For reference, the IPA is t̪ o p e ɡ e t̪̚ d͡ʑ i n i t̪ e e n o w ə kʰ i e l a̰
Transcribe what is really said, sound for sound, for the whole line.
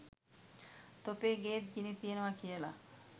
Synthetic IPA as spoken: t̪ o p e ɡ e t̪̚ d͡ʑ i n i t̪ i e n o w a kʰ i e l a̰